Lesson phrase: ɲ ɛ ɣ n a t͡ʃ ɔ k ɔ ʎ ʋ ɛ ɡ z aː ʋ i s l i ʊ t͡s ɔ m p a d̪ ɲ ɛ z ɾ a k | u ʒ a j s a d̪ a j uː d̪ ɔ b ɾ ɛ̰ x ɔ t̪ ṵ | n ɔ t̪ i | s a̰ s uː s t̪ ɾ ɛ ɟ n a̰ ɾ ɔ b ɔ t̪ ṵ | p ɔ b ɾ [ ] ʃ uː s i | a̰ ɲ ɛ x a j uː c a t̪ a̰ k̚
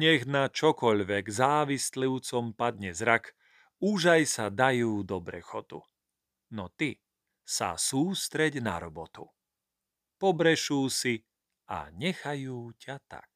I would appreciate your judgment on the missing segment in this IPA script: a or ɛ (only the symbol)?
ɛ